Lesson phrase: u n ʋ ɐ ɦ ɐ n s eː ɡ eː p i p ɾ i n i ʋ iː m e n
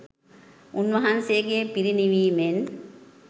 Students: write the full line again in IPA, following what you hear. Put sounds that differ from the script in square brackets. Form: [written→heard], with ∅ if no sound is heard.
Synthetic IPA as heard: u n ʋ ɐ ɦ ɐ n s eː ɡ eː p i [p→∅] ɾ i n i ʋ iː m e n